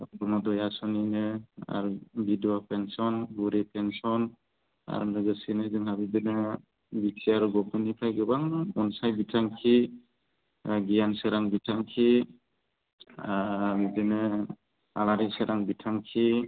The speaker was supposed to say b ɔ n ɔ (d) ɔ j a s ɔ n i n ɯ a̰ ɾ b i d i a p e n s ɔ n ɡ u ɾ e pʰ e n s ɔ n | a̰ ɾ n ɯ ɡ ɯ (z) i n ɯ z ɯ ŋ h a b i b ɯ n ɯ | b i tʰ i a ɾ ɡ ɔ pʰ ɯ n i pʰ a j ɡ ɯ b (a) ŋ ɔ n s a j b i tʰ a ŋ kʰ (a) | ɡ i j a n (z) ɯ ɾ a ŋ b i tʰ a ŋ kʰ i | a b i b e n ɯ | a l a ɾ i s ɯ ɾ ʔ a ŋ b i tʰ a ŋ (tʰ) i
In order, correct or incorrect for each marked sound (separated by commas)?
correct, incorrect, correct, incorrect, incorrect, incorrect